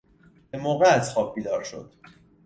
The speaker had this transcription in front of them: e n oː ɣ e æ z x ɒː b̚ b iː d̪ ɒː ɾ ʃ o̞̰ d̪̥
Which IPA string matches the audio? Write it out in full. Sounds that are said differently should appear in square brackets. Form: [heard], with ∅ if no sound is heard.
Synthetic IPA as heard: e [m] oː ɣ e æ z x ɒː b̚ b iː d̪ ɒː ɾ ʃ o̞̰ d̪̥